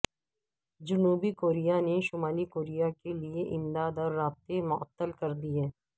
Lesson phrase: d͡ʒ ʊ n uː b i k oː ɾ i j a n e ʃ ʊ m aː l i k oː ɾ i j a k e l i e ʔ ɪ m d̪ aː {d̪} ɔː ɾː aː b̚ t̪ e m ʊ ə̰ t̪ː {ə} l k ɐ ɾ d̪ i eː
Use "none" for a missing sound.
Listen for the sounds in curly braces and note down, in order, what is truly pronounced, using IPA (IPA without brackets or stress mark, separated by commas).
d̪, ə